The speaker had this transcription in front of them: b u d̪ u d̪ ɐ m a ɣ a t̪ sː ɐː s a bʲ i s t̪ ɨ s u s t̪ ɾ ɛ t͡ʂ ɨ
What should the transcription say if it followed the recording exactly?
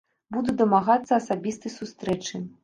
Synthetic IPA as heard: b u d̪ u d̪ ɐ m a ɣ a t̪ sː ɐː s a bʲ i s t̪ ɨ s u s t̪ ɾ ɛ t͡ʂ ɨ